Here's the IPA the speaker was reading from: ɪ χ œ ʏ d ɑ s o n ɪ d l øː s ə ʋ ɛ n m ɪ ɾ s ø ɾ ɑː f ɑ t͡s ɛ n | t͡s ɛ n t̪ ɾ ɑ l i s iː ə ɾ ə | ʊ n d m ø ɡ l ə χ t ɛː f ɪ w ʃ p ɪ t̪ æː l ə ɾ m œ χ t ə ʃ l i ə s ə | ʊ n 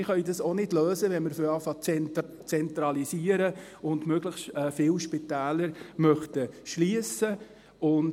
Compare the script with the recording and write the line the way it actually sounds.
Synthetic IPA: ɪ χ œ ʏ d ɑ s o n ɪ d l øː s ə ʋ ɛ n m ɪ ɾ f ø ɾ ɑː f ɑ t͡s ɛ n | t͡s ɛ n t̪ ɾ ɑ l i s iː ə ɾ ə | ʊ n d m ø ɡ l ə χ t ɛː f ɪ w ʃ p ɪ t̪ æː l ə ɾ m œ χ t ə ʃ l i ə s ə | ʊ n